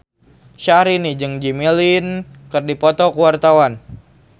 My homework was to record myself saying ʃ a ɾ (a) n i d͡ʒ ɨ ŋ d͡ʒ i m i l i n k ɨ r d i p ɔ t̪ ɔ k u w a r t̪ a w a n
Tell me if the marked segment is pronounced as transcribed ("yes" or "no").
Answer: no